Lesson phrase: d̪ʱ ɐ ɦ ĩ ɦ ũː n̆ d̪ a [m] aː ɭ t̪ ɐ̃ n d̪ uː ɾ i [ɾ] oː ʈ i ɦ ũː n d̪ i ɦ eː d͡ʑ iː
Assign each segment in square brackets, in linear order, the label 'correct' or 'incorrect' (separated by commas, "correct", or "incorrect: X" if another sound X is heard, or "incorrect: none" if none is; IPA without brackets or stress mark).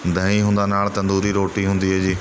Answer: incorrect: n, correct